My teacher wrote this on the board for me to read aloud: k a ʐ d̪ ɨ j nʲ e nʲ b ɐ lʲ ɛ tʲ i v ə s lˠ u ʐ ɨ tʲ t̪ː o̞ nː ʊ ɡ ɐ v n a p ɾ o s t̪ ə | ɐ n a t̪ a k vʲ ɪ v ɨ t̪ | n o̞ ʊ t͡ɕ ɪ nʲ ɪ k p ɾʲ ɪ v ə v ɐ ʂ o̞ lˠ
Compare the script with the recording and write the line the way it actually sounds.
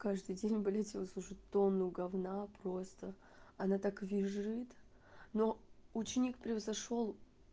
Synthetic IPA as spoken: k a ʐ d̪ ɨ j dʲ e nʲ b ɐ lʲ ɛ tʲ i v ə s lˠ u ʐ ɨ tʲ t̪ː o̞ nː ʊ ɡ ɐ v n a p ɾ o s t̪ ə | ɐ n a t̪ a k vʲ ɪ ʐ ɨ t̪ | n o̞ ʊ t͡ɕ ɪ nʲ i k p ɾʲ ɪ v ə z ɐ ʂ o̞ lˠ